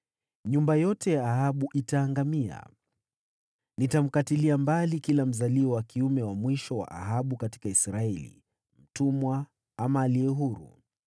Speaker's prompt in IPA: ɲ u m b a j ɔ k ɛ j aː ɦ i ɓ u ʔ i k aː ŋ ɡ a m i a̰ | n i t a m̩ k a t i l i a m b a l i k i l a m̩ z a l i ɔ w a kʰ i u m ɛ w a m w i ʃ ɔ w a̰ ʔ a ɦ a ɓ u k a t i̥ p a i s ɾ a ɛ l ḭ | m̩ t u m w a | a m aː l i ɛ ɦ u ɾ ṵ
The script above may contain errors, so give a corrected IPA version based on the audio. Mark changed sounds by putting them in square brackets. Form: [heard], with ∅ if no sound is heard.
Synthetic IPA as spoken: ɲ u m b a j ɔ [t] ɛ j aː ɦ [a] ɓ u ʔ i [t] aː ŋ ɡ a m i a̰ | n i t a m̩ k a t i l i a m b a l i k i l a m̩ z a l i ɔ w a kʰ i u m ɛ w a m w i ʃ ɔ w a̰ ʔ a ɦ a ɓ u k a t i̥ [k] a i s ɾ a ɛ l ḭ | m̩ t u m w a | a m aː l i ɛ ɦ u ɾ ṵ